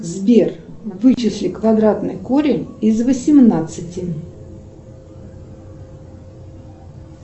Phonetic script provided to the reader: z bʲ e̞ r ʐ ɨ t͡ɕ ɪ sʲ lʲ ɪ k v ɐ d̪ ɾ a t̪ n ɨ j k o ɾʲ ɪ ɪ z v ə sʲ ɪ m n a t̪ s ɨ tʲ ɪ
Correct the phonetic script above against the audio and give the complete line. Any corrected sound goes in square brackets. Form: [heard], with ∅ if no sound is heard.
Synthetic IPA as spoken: z bʲ e̞ r [v] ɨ t͡ɕ ɪ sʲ lʲ ɪ k v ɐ d̪ ɾ a t̪ n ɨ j k o ɾʲ ɪ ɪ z v ə sʲ ɪ m n a t̪ s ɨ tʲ ɪ